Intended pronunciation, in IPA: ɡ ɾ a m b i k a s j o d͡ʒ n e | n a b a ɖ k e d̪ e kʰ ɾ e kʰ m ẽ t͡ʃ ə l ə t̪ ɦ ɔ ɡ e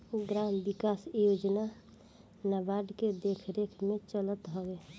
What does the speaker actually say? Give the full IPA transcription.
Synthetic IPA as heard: ɡ ɾ a m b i k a s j o d͡ʒ n a | n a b a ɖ k e d̪ e kʰ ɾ e kʰ m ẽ t͡ʃ ə l ə t̪ ɦ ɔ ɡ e